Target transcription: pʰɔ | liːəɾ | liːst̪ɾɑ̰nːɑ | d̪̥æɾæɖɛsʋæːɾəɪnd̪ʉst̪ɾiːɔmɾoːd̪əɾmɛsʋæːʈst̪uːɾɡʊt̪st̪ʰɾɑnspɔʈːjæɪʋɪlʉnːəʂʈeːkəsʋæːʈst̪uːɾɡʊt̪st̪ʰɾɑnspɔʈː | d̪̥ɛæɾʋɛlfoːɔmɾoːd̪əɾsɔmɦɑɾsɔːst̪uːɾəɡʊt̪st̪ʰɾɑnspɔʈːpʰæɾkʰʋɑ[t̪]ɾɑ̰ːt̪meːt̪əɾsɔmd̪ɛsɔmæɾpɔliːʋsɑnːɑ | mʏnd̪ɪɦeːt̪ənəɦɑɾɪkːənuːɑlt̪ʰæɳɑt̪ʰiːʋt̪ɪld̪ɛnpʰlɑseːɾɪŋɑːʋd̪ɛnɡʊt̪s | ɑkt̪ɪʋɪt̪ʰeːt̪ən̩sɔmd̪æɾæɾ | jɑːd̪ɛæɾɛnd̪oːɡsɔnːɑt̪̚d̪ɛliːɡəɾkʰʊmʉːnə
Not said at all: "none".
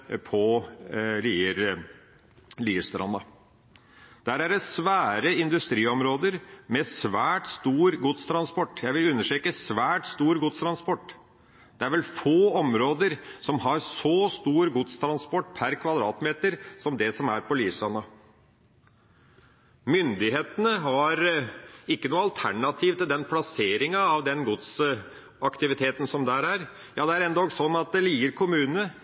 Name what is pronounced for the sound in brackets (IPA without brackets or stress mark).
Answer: d̪